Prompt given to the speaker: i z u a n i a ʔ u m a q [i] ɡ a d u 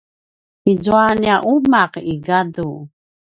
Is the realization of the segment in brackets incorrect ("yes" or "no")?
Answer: no